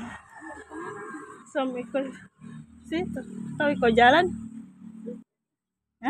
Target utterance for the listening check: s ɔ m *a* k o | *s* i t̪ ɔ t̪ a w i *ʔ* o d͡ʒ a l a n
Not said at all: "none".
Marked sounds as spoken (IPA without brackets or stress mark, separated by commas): i, s, k